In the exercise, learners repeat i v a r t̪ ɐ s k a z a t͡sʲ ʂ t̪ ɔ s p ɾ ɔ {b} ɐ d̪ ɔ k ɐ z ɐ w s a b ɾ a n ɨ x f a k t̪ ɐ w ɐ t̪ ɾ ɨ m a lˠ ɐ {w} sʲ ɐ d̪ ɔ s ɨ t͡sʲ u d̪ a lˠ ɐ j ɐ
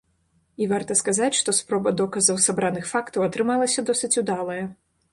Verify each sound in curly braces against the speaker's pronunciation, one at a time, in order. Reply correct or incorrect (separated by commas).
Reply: correct, incorrect